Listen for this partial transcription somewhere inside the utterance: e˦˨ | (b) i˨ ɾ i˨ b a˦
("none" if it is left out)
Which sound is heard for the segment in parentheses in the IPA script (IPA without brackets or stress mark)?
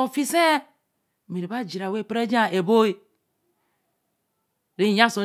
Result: m